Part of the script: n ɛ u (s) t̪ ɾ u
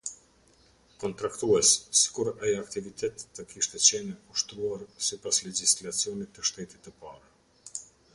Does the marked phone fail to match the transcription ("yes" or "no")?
yes